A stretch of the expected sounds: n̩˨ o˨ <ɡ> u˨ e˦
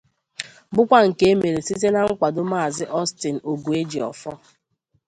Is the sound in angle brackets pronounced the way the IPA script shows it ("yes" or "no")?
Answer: yes